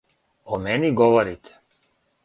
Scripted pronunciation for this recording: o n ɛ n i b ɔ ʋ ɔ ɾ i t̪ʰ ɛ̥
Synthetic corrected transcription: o m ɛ n i ɡ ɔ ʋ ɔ ɾ i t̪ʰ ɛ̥